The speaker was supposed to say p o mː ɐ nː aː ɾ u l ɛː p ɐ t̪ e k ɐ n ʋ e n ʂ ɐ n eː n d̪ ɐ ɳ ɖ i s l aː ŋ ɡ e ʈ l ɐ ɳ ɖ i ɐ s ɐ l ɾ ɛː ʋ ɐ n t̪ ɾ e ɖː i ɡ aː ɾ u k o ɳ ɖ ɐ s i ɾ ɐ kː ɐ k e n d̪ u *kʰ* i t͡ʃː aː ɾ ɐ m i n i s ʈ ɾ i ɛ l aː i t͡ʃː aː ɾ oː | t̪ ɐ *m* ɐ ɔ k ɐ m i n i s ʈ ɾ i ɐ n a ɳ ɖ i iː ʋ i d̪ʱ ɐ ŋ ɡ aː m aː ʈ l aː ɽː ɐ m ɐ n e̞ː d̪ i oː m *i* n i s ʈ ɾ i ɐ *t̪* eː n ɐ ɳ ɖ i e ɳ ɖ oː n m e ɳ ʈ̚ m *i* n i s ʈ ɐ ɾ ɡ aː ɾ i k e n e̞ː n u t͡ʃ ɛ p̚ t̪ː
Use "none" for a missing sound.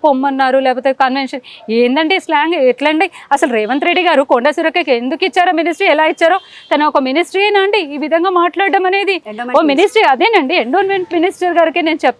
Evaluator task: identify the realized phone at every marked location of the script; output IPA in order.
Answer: k, n, i, d̪, i

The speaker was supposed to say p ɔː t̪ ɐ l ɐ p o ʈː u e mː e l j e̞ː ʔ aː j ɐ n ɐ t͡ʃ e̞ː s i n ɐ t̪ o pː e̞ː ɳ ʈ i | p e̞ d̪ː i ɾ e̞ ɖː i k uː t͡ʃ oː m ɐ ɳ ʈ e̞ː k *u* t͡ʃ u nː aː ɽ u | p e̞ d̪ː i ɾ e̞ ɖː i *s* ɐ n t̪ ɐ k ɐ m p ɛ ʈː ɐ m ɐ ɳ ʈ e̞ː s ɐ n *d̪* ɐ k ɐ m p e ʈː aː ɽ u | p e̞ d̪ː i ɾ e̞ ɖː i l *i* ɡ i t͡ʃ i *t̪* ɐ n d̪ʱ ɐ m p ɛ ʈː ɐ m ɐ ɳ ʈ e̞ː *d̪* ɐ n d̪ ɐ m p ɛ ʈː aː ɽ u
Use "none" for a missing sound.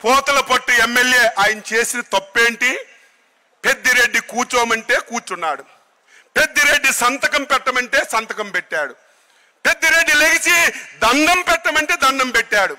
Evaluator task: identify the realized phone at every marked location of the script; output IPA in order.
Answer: uː, s, t̪, e, d̪, d̪

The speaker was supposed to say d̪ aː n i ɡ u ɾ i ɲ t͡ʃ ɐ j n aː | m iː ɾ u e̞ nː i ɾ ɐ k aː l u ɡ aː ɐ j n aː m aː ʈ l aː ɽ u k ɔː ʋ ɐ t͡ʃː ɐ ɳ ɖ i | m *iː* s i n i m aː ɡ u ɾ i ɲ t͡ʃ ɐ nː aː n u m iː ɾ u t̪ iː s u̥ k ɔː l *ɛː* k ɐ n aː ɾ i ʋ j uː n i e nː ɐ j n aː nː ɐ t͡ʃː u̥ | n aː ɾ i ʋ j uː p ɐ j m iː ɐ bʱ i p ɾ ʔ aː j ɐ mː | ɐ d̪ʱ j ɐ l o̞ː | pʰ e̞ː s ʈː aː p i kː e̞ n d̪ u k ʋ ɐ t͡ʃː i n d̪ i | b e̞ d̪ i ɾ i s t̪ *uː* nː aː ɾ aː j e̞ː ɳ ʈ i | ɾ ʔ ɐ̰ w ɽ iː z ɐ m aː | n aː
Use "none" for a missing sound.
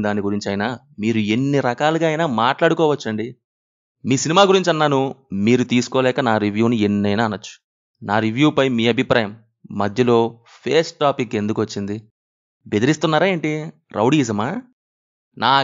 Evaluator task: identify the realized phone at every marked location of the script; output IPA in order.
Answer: iː, ɛː, u

